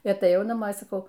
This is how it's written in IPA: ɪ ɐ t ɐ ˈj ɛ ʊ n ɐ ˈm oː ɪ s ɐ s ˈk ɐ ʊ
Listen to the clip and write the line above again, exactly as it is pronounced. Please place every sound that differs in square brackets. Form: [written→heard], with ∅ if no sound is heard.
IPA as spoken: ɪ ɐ t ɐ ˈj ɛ ʊ n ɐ ˈm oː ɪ s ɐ [s→∅] ˈk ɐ ʊ